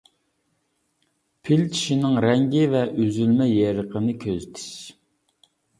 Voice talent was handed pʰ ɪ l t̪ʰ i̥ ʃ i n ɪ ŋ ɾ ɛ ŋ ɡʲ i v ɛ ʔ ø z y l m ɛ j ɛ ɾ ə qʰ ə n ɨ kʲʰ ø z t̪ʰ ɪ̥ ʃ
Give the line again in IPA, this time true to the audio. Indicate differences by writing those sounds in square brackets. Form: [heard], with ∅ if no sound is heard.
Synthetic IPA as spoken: pʰ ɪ l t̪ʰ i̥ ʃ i n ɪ ŋ ɾ ɛ ŋ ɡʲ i v ɛ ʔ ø z y l m ɛ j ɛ ɾ ə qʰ ə n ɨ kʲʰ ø z t̪ʰ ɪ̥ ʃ